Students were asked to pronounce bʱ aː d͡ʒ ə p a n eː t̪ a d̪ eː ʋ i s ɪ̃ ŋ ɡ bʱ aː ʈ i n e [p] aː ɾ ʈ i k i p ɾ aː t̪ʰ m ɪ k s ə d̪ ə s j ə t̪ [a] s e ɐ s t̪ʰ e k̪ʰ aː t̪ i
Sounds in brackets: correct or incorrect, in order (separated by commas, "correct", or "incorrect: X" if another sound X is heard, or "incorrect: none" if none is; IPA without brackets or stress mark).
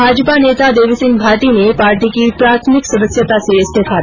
correct, correct